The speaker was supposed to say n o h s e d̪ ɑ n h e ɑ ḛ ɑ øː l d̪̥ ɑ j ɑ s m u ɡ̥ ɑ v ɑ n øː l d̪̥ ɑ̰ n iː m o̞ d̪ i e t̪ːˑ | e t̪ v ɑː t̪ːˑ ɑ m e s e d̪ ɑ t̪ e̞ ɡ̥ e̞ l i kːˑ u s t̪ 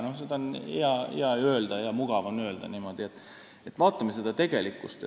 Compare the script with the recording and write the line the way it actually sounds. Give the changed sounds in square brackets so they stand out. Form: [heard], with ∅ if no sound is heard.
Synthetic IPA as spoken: n o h s e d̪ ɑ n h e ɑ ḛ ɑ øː l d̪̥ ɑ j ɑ [∅] m u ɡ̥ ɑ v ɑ n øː l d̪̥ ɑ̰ n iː m o̞ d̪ i e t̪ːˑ | e t̪ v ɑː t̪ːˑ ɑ m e s e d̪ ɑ t̪ e̞ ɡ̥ e̞ l i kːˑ u s t̪